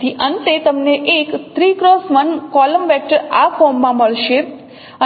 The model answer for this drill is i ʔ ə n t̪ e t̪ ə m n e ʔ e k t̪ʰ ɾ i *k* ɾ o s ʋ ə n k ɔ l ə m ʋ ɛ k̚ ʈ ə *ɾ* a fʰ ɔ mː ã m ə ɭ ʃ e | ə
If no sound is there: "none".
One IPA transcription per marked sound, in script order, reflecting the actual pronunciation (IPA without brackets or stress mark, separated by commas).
k, ɾ